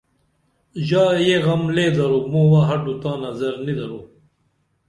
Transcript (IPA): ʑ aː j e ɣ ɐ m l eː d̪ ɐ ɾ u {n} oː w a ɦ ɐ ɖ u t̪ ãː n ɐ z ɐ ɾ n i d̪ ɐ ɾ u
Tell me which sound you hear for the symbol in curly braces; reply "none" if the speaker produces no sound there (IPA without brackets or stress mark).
m